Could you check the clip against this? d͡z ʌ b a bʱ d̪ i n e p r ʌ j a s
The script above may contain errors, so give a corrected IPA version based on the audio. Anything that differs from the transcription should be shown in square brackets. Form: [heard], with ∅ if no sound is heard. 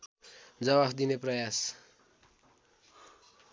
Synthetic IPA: d͡z ʌ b a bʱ d̪ i n e p r ʌ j a s